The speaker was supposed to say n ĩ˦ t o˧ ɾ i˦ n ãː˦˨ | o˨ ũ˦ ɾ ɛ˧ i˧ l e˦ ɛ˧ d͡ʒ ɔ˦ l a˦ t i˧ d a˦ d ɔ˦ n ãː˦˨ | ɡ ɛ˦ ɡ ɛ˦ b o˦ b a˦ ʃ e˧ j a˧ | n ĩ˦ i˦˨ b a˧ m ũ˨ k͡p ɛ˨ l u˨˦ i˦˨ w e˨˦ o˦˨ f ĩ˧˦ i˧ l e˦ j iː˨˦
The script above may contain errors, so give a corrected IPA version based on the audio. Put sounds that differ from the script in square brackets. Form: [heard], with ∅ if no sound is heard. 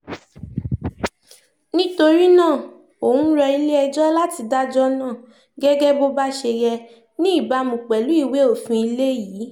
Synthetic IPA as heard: n ĩ˦ t o˧ ɾ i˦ n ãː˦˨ | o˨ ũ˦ ɾ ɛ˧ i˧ l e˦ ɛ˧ d͡ʒ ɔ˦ l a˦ t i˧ d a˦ [d͡ʒ] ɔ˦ n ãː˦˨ | ɡ ɛ˦ ɡ ɛ˦ b o˦ b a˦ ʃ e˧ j [ɛ˧] | n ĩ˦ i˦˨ b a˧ m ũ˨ k͡p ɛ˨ l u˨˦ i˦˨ w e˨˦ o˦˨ f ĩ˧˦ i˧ l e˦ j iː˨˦